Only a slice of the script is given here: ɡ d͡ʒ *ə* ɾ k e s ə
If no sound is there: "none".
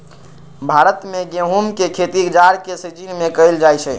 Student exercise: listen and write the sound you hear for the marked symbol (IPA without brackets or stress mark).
a